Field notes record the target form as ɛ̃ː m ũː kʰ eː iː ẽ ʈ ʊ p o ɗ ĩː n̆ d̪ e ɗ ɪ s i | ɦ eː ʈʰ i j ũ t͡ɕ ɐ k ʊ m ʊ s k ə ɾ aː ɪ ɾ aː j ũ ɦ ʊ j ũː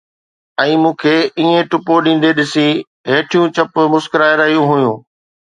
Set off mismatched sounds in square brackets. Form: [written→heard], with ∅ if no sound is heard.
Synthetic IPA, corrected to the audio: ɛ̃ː m ũː kʰ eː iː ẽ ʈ ʊ p o ɗ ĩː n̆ d̪ e ɗ ɪ s i | ɦ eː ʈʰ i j ũ t͡ɕ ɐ [k→p] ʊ m ʊ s k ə ɾ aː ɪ ɾ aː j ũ ɦ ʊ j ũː